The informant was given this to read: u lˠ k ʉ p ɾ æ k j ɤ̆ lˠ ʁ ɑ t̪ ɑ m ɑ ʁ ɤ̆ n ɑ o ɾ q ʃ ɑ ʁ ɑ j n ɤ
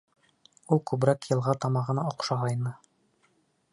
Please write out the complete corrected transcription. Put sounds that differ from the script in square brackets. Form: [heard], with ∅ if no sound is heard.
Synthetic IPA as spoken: u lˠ k ʉ [b] ɾ æ k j ɤ̆ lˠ ʁ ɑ t̪ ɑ m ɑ ʁ ɤ̆ n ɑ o [∅] q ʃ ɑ ʁ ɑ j n ɤ